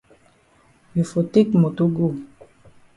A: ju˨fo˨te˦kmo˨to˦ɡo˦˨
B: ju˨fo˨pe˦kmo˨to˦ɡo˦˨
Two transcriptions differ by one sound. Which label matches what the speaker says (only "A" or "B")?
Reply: A